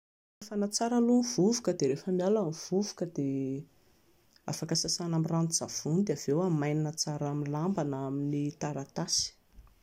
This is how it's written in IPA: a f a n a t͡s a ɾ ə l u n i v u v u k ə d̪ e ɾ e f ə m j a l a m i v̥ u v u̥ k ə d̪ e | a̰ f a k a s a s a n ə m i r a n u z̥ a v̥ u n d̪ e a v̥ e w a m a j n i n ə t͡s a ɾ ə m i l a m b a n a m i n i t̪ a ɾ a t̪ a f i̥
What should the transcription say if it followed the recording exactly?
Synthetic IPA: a f a n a t͡s a ɾ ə l u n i v u v u k ə d̪ e ɾ e f ə m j a l a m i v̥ u v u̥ k ə d̪ e | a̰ f a k a s a s a n a m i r a n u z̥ a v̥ u n d̪ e a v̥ e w a m a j n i n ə t͡s a ɾ a m i l a m b a n a m i n i t̪ a ɾ a t̪ a s i̥